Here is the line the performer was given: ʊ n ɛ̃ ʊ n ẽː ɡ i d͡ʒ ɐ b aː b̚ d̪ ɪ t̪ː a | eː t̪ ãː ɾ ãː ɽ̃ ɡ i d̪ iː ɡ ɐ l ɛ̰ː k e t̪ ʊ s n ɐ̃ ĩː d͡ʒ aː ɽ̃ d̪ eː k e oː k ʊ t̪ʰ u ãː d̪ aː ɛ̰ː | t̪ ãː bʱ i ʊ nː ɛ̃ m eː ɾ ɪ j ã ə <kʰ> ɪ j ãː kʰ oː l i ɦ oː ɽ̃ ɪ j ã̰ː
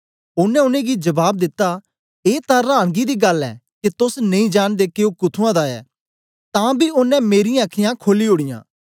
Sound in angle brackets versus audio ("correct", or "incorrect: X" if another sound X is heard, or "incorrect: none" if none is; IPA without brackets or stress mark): correct